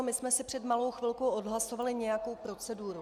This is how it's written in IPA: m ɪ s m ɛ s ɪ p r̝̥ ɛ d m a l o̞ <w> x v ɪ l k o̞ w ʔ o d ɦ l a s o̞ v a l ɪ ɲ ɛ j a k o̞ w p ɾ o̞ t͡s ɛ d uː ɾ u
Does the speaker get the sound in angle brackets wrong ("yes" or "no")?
no